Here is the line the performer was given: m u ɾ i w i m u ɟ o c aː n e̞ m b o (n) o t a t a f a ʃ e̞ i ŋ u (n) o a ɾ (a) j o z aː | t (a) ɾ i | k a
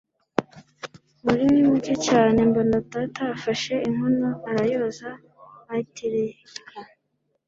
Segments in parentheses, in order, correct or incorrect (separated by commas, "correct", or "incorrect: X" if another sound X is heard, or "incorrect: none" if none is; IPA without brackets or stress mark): correct, correct, correct, incorrect: i